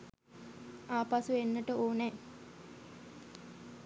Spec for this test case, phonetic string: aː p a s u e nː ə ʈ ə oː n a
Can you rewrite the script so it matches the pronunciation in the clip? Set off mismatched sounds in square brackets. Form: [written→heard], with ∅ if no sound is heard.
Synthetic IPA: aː p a s u e nː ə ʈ ə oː n [a→ɛ]